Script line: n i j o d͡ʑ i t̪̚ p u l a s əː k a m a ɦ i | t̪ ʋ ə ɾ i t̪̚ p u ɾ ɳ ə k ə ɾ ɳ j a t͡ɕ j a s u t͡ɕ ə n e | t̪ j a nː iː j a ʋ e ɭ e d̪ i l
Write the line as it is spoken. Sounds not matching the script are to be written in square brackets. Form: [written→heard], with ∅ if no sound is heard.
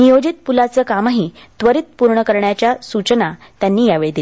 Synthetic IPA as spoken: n i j o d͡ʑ i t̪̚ p u l a [s→t͡s] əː k a m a ɦ i | t̪ ʋ ə ɾ i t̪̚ p u ɾ ɳ ə k ə ɾ ɳ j a t͡ɕ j a s u t͡ɕ ə n [e→a] | t̪ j a nː iː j a ʋ e ɭ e d̪ i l